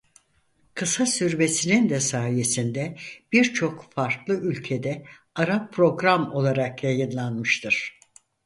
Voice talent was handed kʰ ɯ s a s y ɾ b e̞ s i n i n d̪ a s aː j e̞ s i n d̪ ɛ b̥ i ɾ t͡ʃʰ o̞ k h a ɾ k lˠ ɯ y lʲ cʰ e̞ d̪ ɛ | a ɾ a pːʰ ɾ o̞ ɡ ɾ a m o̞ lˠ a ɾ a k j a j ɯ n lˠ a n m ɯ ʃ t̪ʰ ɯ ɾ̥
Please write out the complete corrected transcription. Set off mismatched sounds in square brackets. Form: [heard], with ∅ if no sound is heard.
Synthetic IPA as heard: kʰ ɯ s a s y ɾ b e̞ s i n i n d̪ [ɛ] s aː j e̞ s i n d̪ ɛ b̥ i ɾ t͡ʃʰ o̞ k [f] a ɾ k lˠ ɯ y lʲ cʰ e̞ d̪ ɛ | a ɾ a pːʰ ɾ o̞ ɡ ɾ a m o̞ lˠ a ɾ a k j a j ɯ n lˠ a n m ɯ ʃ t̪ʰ ɯ ɾ̥